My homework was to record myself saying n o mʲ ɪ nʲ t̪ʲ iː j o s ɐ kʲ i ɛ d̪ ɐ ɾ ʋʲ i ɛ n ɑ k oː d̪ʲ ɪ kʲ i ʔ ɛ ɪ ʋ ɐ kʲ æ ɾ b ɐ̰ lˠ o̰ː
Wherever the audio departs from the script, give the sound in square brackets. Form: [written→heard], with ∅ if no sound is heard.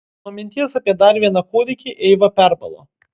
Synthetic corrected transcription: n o mʲ ɪ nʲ t̪ʲ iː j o s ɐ [kʲ→pʲ] i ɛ d̪ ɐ ɾ ʋʲ i ɛ n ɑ k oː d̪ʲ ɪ kʲ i ʔ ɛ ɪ ʋ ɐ [kʲ→pʲ] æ ɾ b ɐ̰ lˠ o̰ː